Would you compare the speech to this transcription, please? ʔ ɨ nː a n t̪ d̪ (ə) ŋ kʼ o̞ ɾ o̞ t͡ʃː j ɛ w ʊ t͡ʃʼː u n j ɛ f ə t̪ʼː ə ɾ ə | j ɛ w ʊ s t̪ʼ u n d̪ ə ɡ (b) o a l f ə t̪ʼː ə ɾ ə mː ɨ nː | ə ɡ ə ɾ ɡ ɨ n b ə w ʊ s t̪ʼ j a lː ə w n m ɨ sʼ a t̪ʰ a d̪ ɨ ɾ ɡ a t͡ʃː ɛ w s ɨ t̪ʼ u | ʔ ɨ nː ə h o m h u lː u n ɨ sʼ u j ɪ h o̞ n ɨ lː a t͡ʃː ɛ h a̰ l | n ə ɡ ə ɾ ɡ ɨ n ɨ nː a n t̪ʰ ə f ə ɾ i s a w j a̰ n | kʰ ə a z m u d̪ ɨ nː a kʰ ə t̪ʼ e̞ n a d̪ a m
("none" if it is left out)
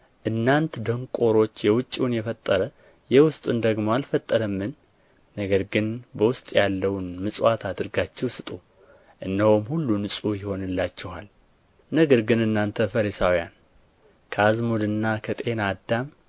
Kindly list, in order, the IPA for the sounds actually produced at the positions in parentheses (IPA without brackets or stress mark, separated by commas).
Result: ə, m